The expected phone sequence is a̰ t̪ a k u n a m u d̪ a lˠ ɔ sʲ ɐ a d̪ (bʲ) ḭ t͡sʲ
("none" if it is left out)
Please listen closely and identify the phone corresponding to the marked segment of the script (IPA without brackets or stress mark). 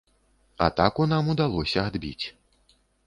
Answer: bʲ